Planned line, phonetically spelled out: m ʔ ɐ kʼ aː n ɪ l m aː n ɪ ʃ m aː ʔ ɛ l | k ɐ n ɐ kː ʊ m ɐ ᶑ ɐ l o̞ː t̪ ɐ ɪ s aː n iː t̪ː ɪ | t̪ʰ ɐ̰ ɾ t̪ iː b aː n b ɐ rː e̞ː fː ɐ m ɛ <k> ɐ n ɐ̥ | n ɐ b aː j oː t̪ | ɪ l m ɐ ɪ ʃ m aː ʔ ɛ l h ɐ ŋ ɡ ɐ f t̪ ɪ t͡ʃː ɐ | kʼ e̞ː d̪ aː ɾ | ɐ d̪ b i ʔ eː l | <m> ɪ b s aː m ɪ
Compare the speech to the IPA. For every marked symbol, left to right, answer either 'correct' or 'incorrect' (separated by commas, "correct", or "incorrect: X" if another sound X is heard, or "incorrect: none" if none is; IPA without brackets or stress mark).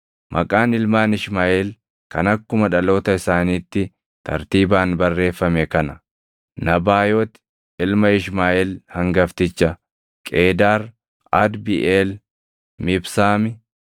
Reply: correct, correct